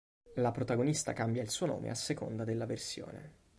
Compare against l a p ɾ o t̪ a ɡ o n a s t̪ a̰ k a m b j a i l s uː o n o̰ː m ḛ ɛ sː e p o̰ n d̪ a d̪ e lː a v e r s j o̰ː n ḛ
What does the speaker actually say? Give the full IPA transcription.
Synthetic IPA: l a p ɾ o t̪ a ɡ o n i s t̪ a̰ k a m b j a i l s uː o n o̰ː m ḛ a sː e k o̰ n d̪ a d̪ e lː a v e r s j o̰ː n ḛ